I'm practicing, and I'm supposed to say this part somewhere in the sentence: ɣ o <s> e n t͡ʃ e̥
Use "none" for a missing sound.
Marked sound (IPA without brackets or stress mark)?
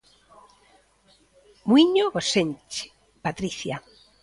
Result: s